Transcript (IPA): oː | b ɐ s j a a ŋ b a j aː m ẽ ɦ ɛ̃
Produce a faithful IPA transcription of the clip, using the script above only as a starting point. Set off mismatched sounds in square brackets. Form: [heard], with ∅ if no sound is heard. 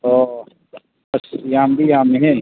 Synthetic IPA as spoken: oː | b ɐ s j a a [m] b [i] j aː m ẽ ɦ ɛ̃